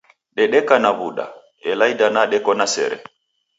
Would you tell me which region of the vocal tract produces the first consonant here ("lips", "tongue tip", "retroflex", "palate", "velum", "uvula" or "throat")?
tongue tip